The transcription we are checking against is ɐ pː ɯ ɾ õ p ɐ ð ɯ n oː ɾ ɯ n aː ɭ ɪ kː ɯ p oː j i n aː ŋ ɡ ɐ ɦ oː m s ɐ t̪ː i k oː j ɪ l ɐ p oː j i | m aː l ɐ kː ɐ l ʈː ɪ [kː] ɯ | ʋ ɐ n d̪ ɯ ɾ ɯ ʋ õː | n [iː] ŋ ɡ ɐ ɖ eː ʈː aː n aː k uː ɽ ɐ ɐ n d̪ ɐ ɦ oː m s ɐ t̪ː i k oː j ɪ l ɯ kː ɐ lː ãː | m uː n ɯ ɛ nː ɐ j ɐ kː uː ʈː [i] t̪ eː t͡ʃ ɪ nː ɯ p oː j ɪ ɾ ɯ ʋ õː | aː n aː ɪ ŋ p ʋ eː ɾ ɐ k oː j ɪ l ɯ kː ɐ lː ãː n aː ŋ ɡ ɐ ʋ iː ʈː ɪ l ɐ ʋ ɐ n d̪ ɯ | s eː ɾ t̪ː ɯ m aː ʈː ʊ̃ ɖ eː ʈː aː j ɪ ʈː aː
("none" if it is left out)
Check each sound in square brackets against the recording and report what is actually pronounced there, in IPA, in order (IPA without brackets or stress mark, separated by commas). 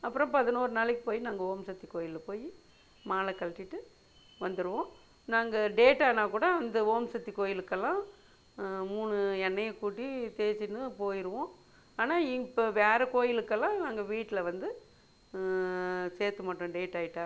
ʈː, aː, i